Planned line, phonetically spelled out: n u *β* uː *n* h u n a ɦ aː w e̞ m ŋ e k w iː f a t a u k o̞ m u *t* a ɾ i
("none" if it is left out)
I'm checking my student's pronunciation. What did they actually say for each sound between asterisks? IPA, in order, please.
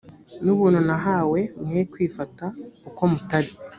β, n, t

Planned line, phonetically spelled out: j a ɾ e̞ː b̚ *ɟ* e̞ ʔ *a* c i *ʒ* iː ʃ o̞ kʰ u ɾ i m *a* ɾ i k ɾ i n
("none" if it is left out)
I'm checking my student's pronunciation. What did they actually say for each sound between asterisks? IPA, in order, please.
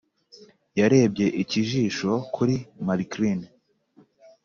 ɟ, i, ʒ, a

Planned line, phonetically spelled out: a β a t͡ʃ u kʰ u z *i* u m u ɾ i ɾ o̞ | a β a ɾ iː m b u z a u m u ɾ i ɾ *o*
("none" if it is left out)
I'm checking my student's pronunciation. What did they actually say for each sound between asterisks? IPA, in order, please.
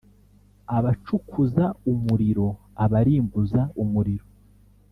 a, o

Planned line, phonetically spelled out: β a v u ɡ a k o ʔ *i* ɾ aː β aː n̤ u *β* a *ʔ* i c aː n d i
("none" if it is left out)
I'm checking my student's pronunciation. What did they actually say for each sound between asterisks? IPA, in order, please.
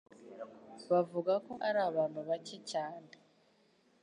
a, β, c

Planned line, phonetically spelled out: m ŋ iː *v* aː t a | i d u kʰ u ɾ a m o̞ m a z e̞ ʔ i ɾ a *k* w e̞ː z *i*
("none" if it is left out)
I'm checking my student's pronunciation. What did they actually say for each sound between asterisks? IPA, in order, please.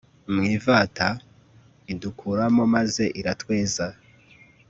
v, t, a

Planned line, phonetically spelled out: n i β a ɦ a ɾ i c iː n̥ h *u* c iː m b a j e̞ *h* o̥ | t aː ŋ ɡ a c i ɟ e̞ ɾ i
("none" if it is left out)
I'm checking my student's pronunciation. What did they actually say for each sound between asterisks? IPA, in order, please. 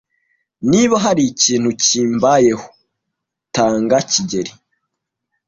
u, h

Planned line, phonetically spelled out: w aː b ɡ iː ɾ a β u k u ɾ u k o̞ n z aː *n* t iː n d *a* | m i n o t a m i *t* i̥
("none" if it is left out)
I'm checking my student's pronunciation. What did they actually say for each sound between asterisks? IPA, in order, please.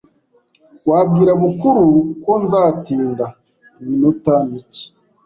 none, a, c

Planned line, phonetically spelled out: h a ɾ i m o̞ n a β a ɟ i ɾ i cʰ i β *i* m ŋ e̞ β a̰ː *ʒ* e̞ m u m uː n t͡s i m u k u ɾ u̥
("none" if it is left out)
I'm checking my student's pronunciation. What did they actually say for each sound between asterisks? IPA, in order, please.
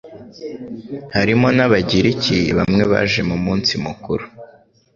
a, ʒ

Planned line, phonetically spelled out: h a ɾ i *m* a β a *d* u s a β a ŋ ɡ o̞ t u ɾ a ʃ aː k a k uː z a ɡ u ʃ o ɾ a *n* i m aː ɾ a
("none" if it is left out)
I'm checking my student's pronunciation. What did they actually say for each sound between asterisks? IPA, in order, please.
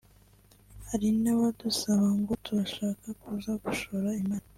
n, d, none

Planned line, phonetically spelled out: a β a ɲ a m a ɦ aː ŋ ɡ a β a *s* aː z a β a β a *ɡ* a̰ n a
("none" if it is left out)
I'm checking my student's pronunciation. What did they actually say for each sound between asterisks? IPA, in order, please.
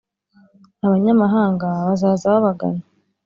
z, ɡ

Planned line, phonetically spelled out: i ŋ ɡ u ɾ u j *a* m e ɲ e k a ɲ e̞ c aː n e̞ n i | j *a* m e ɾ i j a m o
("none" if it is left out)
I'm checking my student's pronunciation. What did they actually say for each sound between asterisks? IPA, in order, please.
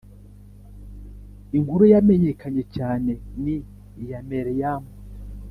a, a

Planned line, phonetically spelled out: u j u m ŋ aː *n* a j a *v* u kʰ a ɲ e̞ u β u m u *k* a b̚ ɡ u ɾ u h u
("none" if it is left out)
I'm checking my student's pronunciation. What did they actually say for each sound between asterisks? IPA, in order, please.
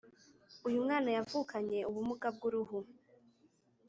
n, v, ɡ

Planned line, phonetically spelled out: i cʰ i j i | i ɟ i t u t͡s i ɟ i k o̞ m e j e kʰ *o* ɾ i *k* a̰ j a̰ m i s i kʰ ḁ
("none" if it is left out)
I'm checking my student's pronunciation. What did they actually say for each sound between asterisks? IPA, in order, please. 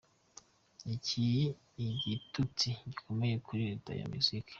u, t

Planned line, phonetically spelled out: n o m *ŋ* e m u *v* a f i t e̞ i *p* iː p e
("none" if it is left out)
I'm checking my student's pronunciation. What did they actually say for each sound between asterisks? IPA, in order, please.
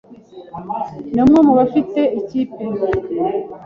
ŋ, β, c

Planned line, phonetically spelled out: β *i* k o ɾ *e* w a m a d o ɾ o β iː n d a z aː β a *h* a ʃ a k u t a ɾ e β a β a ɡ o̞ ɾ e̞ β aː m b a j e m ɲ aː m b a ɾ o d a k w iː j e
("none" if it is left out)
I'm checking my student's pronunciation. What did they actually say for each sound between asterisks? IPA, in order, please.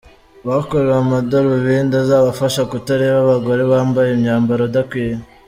a, e, f

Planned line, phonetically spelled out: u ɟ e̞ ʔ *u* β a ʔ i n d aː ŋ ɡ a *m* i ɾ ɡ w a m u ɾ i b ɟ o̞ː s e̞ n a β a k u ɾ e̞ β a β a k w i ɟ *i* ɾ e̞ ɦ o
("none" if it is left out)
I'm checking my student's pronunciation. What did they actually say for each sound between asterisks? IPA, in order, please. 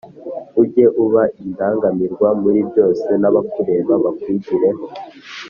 u, m, i

